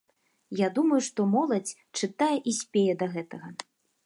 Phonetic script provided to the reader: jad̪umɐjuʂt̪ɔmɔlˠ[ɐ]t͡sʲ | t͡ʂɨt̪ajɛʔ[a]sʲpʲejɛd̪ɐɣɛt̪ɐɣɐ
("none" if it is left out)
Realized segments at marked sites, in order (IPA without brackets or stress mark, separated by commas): ɐ, i